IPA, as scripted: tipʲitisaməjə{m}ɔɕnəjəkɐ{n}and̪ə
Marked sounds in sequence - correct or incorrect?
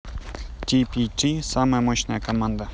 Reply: correct, incorrect: m

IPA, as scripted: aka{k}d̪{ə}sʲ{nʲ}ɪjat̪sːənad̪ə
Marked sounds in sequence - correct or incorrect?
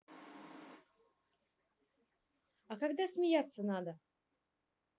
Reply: incorrect: ɡ, incorrect: a, incorrect: mʲ

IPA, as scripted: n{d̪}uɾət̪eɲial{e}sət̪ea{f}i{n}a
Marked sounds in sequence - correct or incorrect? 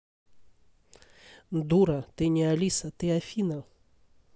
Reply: correct, incorrect: i, correct, correct

